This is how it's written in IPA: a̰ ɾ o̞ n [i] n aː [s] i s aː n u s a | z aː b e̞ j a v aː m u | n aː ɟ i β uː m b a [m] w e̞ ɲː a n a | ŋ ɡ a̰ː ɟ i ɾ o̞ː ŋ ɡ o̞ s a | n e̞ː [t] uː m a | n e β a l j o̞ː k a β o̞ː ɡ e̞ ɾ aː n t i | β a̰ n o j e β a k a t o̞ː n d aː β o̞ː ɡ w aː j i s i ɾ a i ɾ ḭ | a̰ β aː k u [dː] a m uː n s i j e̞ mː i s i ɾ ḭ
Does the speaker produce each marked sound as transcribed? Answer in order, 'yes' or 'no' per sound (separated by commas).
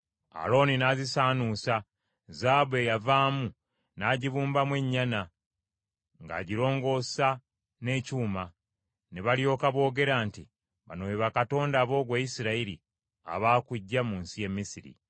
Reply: yes, no, yes, no, no